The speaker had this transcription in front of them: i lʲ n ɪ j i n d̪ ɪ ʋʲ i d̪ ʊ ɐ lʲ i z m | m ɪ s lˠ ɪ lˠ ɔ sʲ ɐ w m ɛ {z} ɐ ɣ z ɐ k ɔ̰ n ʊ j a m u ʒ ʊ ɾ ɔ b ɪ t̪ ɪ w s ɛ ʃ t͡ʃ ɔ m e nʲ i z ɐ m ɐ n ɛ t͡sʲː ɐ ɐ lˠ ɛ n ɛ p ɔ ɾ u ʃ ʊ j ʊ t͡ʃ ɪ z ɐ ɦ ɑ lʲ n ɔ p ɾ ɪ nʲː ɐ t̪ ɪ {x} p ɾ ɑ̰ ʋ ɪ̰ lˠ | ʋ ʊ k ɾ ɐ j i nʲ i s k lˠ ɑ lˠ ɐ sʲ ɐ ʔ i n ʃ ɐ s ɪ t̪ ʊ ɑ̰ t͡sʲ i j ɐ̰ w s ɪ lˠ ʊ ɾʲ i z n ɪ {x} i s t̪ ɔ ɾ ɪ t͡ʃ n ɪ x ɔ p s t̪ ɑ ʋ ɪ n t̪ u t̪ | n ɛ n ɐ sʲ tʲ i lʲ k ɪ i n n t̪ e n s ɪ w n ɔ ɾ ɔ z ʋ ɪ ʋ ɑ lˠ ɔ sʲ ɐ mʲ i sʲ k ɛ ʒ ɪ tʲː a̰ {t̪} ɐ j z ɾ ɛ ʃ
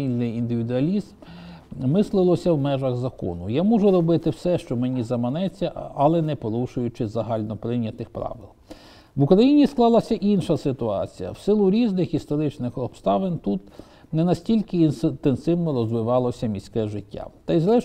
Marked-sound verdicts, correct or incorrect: incorrect, correct, correct, correct

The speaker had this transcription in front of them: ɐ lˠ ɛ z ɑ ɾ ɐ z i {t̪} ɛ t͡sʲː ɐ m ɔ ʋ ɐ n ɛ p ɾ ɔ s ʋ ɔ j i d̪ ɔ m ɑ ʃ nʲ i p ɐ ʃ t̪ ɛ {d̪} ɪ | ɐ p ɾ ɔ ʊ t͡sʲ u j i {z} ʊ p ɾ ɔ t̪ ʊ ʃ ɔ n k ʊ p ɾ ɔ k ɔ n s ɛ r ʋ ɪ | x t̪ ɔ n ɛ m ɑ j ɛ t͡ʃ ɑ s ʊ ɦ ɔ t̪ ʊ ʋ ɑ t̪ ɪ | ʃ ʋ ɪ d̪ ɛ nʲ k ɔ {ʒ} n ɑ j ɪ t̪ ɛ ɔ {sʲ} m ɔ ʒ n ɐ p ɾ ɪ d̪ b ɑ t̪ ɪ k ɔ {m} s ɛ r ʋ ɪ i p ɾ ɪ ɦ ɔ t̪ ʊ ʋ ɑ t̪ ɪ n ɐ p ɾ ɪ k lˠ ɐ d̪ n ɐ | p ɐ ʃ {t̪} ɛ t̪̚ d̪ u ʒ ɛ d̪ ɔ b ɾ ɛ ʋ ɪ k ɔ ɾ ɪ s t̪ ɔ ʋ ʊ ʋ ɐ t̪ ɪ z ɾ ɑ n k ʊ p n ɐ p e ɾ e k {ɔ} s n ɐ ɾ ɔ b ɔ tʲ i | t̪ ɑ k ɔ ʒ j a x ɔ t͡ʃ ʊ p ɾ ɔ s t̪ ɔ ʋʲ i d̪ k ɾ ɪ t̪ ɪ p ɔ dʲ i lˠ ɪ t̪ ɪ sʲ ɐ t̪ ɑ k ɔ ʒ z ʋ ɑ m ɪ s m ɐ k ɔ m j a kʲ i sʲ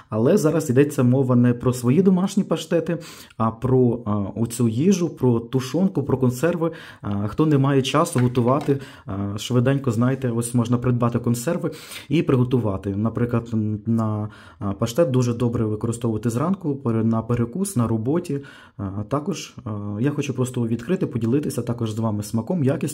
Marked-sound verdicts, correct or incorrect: incorrect, incorrect, incorrect, incorrect, correct, incorrect, correct, incorrect

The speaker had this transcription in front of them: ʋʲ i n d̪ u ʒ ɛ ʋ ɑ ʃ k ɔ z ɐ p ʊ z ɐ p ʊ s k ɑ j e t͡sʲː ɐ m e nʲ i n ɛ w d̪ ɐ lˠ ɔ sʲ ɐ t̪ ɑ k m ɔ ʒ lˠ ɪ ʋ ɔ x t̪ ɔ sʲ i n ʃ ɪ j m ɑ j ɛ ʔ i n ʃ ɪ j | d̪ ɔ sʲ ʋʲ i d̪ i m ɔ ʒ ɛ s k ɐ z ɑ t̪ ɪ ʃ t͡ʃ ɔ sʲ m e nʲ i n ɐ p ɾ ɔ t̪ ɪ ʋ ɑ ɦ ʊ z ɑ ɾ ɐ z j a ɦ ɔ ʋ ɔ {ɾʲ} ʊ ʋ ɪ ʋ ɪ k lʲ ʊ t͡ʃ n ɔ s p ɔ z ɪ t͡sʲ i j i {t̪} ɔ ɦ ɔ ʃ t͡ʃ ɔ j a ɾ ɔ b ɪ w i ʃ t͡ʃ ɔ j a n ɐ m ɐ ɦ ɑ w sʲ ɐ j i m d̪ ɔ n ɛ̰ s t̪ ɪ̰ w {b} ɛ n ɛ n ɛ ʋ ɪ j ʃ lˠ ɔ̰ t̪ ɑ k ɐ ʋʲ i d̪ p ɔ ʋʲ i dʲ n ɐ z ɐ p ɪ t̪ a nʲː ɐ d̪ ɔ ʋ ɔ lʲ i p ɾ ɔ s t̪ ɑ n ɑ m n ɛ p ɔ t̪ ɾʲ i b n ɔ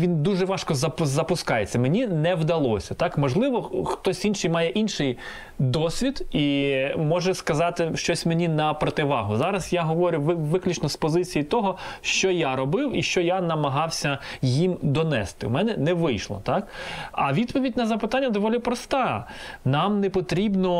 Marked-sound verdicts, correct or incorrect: correct, correct, incorrect

